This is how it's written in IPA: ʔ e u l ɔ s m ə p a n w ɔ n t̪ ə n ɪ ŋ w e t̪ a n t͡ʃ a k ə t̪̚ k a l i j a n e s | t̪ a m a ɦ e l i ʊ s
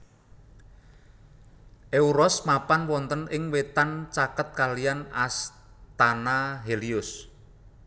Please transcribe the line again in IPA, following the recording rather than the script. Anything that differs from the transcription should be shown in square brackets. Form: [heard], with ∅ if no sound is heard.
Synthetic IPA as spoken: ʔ e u [ɾ] ɔ s m [a] p a n w ɔ n t̪ ə n ɪ ŋ w e t̪ a n t͡ʃ a k ə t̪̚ k a l i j a n [a] s | t̪ a [n] a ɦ e l i ʊ s